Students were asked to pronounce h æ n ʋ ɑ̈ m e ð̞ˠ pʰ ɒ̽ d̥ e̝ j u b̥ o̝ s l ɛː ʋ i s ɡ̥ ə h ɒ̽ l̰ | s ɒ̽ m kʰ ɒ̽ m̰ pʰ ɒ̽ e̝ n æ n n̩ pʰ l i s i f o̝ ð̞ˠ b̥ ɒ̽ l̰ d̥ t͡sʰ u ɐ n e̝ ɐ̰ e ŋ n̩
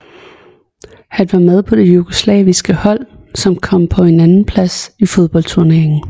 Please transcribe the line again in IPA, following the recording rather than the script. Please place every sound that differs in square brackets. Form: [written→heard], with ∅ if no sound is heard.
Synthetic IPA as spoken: h æ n ʋ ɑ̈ m e ð̞ˠ pʰ ɒ̽ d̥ e̝ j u [b̥→ɡ̥] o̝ s l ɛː ʋ i s ɡ̥ ə h ɒ̽ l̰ | s ɒ̽ m kʰ ɒ̽ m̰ pʰ ɒ̽ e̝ n æ n n̩ pʰ l [i→æ] s i f o̝ ð̞ˠ b̥ ɒ̽ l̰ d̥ t͡sʰ u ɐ n e̝ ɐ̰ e ŋ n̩